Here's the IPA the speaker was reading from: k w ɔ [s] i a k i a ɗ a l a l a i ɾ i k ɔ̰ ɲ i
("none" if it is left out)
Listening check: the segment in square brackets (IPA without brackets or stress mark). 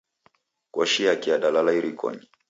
ʃ